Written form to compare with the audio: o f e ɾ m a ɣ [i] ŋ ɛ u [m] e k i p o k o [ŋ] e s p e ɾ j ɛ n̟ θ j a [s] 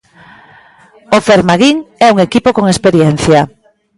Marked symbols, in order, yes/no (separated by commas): yes, no, yes, no